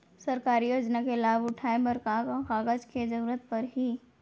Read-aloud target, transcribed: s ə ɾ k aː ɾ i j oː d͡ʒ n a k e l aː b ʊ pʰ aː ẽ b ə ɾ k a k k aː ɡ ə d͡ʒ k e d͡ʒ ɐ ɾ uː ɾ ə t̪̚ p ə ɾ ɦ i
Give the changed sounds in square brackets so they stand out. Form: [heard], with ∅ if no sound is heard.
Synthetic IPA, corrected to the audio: s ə ɾ k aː ɾ i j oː d͡ʒ n a k e l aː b ʊ [ʈʰ] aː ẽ b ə ɾ k a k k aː ɡ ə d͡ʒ k e d͡ʒ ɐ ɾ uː ɾ ə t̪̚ p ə ɾ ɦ i